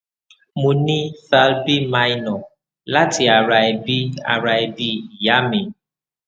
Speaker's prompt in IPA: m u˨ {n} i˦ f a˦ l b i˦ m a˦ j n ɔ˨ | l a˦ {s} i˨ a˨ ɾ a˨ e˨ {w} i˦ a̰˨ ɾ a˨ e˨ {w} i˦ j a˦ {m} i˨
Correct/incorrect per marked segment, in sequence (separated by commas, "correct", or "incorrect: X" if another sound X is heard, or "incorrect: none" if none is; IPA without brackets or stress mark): correct, incorrect: t, incorrect: b, incorrect: b, correct